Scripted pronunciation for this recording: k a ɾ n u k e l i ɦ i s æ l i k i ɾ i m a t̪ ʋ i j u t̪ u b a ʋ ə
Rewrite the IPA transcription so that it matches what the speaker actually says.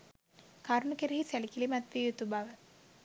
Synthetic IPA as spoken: k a ɾ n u k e ɾ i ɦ i s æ l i k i l i m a t̪ ʋ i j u t̪ u b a ʋ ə

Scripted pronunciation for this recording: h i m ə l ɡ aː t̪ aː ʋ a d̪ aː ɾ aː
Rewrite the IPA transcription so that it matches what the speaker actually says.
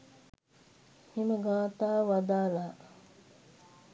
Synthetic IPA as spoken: h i m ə ɡ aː t̪ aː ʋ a d̪ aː l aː

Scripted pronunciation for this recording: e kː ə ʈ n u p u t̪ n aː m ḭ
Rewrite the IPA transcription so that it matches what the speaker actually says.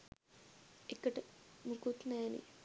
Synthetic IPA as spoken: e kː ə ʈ m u k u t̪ n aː n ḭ

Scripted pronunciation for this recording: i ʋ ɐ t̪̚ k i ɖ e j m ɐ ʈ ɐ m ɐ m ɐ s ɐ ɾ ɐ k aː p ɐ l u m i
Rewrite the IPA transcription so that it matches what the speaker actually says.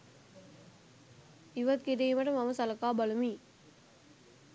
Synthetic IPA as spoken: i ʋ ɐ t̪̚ k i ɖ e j m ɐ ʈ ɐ m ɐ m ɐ s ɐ l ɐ k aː b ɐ l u m i

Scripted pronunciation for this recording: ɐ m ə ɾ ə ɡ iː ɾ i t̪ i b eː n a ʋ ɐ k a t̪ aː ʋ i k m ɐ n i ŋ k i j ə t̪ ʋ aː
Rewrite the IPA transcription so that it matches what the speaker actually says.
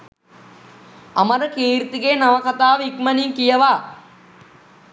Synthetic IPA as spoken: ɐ m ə ɾ ə k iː ɾ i t̪ i ɡ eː n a ʋ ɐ k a t̪ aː ʋ i k m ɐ n i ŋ k i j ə ʋ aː

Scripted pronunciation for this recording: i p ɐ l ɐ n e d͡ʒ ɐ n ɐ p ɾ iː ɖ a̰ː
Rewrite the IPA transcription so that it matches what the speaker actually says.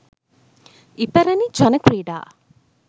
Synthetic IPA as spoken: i p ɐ ɾ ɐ n i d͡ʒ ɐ n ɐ k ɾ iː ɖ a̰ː

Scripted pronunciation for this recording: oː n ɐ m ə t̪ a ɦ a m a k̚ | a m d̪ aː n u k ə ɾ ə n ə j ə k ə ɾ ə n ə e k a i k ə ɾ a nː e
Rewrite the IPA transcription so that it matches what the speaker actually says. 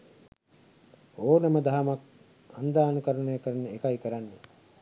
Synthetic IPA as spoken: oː n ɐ m ə d̪ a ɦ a m a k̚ | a n d̪ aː n u k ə ɾ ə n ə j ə k ə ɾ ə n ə e k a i k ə ɾ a nː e

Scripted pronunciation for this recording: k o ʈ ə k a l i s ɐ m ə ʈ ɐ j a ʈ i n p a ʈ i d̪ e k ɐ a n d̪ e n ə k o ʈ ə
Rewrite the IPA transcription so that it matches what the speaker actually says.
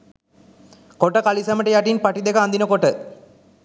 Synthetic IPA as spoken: k o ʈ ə k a l i s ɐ m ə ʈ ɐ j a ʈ i n p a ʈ i d̪ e k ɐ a n d̪ i n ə k o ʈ ə

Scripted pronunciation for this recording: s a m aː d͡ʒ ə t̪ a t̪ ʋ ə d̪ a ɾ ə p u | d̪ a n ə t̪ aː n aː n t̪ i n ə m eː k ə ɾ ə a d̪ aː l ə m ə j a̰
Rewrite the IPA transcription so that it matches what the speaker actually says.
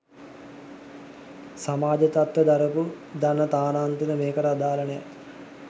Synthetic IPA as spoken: s a m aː d͡ʒ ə t̪ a t̪ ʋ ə d̪ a ɾ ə p u | d̪ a n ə t̪ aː n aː n t̪ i n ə m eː k ə ɾ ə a d̪ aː l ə n ə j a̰

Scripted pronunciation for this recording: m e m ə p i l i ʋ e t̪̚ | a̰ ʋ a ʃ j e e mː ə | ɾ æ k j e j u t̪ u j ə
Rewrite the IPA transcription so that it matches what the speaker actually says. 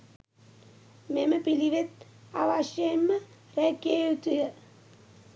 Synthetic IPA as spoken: m e m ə p i l i ʋ e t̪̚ | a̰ ʋ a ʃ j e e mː ə | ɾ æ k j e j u t̪ u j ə

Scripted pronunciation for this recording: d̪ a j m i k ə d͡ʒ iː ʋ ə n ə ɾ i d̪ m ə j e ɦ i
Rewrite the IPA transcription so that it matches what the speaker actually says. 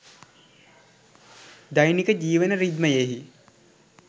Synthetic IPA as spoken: d̪ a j n i k ə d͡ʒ iː ʋ ə n ə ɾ i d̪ m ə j e ɦ i

